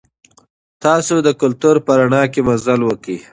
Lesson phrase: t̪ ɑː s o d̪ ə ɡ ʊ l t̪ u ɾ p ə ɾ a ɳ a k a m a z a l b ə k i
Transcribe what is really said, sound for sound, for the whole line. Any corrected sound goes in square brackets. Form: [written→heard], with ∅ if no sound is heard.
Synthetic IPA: t̪ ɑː s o d̪ ə [ɡ→k] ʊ l t̪ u ɾ p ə ɾ a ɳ [a→ɑ] k [a→e] m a z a l [b→w] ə k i